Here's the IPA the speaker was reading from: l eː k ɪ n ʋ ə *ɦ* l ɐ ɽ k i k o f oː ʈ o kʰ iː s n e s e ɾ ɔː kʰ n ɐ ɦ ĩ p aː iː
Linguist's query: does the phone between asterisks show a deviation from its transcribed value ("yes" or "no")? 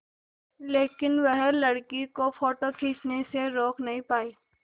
no